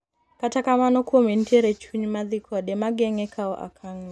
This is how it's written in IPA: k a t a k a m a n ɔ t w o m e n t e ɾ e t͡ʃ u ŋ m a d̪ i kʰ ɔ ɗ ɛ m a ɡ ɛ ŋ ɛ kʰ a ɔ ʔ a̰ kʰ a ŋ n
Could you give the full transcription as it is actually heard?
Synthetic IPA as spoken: k a t a k a m a n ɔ k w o m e n t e ɾ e t͡ʃ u ɲ m a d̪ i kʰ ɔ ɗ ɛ m a ɡ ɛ ŋ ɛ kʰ a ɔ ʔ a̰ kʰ a ŋ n